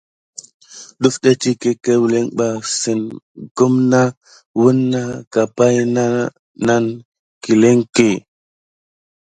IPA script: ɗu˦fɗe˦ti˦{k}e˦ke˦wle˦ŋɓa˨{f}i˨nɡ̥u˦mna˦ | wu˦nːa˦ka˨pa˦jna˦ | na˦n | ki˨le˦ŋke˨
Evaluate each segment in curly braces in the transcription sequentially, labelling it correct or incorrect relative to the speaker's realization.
correct, incorrect

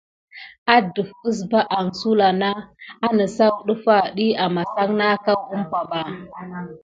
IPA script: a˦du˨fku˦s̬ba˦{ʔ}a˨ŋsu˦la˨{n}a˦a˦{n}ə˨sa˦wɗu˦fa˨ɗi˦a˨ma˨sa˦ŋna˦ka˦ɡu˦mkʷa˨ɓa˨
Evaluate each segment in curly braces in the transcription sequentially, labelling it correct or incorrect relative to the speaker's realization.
correct, correct, correct

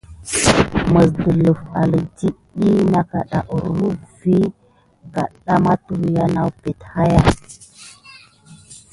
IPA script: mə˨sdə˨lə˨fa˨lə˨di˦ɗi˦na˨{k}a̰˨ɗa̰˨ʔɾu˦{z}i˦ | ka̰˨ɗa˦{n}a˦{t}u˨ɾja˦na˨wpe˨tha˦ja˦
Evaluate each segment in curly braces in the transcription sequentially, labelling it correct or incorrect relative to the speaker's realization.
correct, incorrect, incorrect, correct

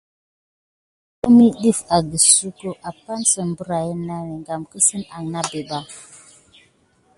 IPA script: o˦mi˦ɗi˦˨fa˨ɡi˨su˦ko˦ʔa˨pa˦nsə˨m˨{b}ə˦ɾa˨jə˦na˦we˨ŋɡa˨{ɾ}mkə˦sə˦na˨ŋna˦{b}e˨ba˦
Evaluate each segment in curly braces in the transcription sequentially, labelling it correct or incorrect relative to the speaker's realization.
correct, incorrect, correct

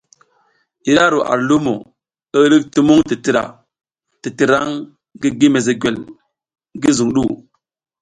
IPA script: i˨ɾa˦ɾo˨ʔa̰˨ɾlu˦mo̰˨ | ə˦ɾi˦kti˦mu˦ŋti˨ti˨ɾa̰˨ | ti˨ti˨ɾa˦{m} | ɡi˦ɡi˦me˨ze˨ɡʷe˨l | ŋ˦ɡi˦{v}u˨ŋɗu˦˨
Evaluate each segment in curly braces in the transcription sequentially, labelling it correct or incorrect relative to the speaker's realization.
incorrect, incorrect

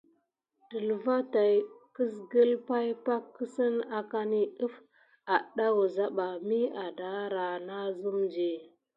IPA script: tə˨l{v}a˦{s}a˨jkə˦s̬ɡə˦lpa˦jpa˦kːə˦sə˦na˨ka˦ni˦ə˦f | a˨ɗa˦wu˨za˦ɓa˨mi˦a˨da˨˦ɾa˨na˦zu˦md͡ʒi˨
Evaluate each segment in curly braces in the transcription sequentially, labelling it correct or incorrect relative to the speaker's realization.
correct, incorrect

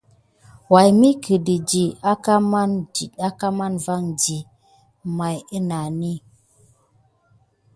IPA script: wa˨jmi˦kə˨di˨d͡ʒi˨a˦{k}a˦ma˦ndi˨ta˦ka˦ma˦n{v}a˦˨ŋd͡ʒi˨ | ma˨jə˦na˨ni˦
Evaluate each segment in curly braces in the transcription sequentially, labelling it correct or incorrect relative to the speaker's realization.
correct, correct

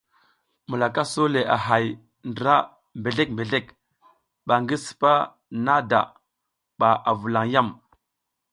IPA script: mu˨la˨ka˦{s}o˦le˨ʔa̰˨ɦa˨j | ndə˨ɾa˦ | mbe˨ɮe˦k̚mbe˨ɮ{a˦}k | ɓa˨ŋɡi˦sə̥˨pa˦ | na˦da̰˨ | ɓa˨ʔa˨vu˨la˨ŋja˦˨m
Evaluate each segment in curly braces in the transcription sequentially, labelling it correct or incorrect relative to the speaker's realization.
correct, incorrect

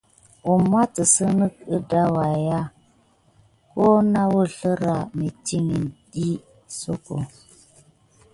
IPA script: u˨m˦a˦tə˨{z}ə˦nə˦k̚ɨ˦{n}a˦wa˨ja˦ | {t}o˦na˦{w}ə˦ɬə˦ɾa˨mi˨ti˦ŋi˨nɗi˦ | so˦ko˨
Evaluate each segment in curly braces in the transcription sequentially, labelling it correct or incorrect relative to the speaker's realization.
incorrect, incorrect, incorrect, correct

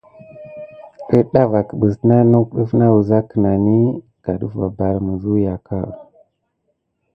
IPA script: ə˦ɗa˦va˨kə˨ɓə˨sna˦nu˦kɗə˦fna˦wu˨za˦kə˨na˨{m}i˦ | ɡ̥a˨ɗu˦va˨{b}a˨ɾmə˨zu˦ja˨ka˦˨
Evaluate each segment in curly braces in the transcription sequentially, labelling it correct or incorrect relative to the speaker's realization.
incorrect, correct

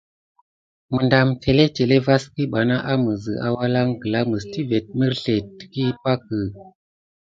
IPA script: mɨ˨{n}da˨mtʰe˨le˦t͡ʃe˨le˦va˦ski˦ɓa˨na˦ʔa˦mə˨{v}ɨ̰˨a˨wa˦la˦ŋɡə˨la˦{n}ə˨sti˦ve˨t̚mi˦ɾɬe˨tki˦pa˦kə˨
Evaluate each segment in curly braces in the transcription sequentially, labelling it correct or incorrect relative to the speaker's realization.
correct, incorrect, incorrect

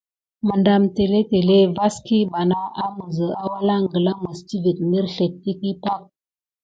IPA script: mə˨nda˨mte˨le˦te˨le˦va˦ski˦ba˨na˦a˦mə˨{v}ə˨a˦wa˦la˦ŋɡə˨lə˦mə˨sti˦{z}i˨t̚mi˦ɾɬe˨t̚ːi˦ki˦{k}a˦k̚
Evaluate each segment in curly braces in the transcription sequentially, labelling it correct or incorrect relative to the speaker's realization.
incorrect, incorrect, incorrect

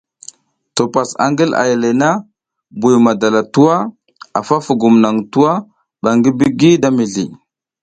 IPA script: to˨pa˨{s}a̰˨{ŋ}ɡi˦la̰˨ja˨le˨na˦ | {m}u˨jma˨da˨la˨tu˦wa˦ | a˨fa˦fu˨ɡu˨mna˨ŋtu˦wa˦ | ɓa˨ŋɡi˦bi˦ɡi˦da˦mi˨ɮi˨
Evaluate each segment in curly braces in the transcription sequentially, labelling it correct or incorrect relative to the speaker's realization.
correct, correct, incorrect

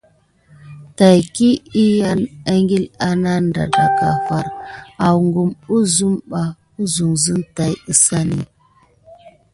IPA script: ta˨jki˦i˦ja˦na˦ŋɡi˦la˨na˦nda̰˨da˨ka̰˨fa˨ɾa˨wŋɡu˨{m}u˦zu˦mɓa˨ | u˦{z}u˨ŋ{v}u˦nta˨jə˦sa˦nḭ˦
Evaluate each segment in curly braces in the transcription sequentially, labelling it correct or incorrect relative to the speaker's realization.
correct, correct, incorrect

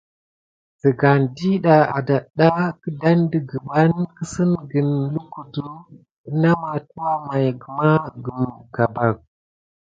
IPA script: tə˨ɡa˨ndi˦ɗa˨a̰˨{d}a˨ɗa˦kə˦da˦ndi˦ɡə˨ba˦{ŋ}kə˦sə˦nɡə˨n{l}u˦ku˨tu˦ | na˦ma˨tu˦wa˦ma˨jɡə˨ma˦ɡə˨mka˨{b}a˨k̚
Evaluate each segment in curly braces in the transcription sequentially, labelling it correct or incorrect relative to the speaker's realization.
correct, incorrect, correct, correct

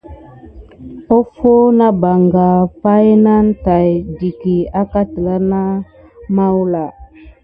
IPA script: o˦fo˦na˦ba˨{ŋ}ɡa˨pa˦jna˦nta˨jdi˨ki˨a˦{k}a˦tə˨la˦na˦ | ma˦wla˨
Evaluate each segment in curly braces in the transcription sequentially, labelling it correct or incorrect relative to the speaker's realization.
correct, correct

